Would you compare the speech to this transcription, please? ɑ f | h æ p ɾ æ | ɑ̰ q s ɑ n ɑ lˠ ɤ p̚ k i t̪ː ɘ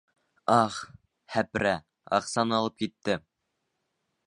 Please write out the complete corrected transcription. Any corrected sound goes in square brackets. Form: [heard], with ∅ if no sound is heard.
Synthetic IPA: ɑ [χ] | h æ p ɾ æ | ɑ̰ q s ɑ n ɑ lˠ ɤ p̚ k i t̪ː ɘ